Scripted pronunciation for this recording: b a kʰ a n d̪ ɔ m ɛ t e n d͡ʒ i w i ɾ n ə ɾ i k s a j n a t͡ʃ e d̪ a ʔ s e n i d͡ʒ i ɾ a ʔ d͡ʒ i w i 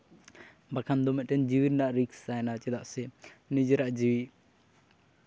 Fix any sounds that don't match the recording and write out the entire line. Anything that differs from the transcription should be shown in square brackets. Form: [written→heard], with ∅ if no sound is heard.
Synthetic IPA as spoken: b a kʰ a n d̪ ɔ m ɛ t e n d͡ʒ i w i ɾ n [ə→a] ɾ i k s a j n a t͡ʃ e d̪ a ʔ s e n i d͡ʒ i ɾ a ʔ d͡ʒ i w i